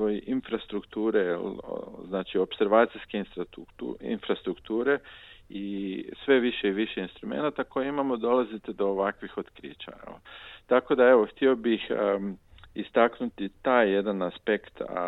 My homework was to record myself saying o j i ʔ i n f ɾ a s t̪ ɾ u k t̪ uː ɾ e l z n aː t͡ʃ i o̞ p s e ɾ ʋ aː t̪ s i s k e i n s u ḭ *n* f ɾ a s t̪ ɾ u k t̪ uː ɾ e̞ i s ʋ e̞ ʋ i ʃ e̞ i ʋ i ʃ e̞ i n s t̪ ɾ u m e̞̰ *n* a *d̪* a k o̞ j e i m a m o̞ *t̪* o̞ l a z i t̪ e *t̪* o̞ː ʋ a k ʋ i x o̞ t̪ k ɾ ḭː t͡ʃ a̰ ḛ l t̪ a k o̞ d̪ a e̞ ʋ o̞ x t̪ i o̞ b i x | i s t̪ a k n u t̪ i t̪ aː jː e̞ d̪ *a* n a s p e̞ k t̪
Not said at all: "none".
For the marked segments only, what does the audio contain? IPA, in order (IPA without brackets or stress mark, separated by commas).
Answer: n, n, t̪, d̪, d̪, a